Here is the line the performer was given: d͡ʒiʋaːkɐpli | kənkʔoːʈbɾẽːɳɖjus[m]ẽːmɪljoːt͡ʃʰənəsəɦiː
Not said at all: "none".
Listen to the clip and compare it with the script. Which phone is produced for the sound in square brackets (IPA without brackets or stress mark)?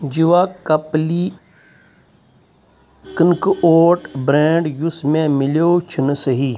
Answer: m